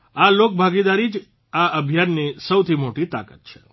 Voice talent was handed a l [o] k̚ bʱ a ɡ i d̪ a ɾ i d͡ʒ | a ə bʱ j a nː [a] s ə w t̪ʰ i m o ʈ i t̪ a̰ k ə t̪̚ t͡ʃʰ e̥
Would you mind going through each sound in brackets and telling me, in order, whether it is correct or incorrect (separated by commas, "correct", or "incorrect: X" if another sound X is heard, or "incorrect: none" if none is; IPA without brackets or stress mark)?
correct, incorrect: i